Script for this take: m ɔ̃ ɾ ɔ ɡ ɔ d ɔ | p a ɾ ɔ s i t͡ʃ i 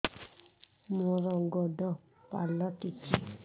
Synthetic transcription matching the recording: m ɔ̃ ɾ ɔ ɡ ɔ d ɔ | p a l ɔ t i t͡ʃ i